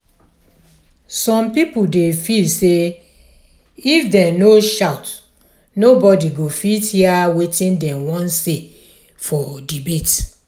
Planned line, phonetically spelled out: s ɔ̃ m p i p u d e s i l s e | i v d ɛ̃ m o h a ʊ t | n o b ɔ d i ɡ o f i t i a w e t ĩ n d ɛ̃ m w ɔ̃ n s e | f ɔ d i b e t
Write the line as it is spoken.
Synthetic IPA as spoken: s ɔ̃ m p i p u d e f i l s e | i f d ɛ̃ n o ʃ a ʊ t | n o b ɔ d i ɡ o f i t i a w e t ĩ n d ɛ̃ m w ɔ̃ n s e | f ɔ d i b e t